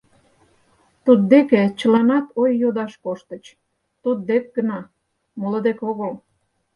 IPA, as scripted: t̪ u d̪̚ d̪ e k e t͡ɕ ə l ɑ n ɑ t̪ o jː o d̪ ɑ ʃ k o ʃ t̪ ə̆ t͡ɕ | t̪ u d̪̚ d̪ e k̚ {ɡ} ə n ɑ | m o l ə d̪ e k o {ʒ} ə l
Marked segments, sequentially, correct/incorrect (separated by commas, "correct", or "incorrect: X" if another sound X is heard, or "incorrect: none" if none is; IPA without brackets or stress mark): correct, incorrect: ɣ